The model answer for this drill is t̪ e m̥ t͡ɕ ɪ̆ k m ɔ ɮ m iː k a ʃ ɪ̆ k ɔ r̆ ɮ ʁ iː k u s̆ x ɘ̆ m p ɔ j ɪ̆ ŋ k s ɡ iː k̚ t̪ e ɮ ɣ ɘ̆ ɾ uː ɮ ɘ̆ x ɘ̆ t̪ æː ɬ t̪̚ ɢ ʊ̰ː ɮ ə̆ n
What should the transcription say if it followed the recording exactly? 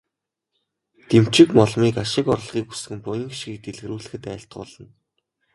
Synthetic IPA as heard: t̪ e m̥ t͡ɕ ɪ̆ k m ɔ ɮ m iː k a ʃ ɪ̆ k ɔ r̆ ɮ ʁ iː k u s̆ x ɘ̆ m p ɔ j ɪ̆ ŋ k ʃ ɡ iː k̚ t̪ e ɮ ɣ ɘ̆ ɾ uː ɮ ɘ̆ x ɘ̆ t̪ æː ɬ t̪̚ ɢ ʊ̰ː ɮ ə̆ n